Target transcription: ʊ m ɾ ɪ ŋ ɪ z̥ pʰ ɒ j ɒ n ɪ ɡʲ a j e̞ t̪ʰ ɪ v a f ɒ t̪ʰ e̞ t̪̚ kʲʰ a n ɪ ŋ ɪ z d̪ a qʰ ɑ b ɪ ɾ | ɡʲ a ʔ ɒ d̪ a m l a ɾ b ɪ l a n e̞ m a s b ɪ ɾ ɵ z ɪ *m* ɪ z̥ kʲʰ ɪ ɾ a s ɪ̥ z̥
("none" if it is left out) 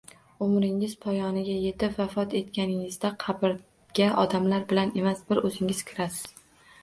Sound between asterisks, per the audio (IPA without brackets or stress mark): ŋ